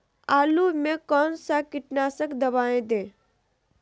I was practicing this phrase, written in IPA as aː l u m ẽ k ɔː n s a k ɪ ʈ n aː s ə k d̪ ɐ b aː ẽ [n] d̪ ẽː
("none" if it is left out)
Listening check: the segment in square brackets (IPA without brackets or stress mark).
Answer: none